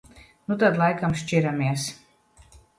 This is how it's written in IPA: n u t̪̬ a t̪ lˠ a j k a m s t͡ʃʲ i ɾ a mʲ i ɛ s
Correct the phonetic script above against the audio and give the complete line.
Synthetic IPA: n u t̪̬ a d̪ lˠ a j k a m ʃ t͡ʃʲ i ɾ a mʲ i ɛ s